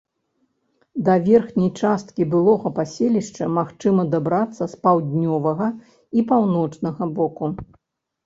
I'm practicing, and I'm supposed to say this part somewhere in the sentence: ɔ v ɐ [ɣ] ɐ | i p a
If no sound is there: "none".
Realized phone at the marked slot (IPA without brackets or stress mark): ɣ